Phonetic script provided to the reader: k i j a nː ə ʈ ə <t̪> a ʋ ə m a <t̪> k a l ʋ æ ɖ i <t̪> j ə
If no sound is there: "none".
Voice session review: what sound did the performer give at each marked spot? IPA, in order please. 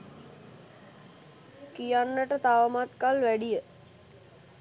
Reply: t̪, t̪, none

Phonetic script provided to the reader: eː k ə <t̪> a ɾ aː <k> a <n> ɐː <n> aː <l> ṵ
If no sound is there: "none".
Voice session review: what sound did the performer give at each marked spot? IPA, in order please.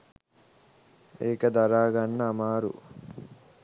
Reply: d̪, ɡ, nː, m, ɾ

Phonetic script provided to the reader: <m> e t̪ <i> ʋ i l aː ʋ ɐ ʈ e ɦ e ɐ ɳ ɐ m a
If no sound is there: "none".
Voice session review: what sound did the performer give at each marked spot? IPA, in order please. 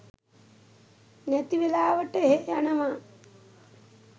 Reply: n, i

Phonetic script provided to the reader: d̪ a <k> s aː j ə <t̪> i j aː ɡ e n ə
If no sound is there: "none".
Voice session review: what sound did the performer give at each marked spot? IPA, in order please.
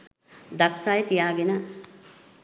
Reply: k, t̪

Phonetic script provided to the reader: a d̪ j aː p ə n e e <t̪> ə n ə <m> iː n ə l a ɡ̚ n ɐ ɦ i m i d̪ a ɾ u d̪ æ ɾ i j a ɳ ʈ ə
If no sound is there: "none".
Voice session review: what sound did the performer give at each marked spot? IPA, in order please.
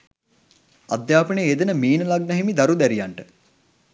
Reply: d̪, m

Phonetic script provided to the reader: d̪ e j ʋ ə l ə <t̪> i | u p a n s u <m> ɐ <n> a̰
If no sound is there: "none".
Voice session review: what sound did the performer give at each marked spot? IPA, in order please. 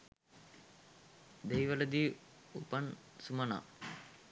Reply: d̪, m, n

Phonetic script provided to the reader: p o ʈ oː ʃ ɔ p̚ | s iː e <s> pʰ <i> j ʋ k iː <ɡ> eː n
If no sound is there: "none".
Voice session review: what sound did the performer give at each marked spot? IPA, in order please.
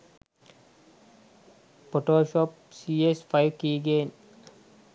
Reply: s, a, ɡ

